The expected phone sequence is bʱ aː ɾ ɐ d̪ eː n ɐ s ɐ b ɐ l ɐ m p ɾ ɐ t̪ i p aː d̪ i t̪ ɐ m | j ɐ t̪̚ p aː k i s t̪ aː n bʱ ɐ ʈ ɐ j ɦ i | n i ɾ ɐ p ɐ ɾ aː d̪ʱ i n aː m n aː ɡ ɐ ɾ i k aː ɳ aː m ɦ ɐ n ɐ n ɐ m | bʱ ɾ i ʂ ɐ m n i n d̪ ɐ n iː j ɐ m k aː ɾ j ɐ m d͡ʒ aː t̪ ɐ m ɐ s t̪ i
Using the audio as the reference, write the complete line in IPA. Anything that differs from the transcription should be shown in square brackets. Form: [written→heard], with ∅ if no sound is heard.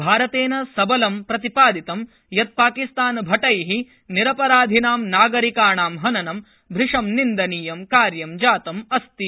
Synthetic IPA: bʱ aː ɾ ɐ [d̪→t̪] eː n ɐ s ɐ b ɐ l ɐ m p ɾ ɐ t̪ i p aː d̪ i t̪ ɐ m | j ɐ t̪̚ p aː k i s t̪ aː n bʱ ɐ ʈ ɐ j ɦ i | n i ɾ ɐ p ɐ ɾ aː d̪ʱ i n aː m n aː ɡ ɐ ɾ i k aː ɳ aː m ɦ ɐ n ɐ n ɐ m | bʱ ɾ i ʂ ɐ m n i n d̪ ɐ n iː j ɐ m k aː ɾ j ɐ m d͡ʒ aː t̪ ɐ m ɐ s t̪ i